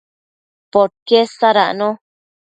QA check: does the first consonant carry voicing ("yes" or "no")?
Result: no